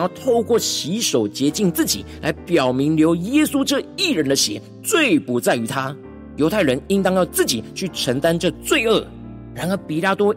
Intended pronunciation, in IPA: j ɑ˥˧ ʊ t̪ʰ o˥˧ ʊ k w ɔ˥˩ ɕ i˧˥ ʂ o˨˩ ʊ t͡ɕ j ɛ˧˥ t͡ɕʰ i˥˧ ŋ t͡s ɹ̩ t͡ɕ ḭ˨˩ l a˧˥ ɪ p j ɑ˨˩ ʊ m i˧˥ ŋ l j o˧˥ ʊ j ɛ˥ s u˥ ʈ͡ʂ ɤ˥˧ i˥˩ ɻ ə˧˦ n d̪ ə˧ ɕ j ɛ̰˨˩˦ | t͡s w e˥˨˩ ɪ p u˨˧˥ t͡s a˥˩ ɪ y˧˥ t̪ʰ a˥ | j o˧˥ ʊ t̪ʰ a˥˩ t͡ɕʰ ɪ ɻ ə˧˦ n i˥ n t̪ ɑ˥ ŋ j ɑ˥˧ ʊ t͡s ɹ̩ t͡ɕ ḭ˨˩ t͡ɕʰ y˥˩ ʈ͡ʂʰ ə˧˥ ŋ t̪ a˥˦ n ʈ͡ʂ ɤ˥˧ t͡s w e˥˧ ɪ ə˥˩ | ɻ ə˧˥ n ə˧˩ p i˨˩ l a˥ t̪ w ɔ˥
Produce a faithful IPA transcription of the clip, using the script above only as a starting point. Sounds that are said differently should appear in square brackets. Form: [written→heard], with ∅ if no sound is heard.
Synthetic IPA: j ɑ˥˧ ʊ t̪ʰ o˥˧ ʊ k w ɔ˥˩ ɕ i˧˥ ʂ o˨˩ ʊ t͡ɕ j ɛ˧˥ [t͡ɕʰ→t͡ɕ] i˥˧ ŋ t͡s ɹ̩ t͡ɕ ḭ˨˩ l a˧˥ ɪ p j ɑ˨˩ ʊ m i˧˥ ŋ l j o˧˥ ʊ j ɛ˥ s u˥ ʈ͡ʂ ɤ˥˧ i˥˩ ɻ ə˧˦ n d̪ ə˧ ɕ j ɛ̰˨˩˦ | t͡s w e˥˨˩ ɪ p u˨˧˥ t͡s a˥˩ ɪ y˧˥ t̪ʰ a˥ | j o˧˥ ʊ t̪ʰ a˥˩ [t͡ɕʰ→∅] ɪ ɻ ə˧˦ n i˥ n t̪ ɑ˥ ŋ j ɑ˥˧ ʊ t͡s ɹ̩ t͡ɕ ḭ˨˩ t͡ɕʰ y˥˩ ʈ͡ʂʰ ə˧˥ ŋ t̪ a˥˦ n ʈ͡ʂ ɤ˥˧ t͡s w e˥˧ ɪ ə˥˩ | ɻ [ə˧˥→a˧˥] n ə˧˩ p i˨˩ l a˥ t̪ w ɔ˥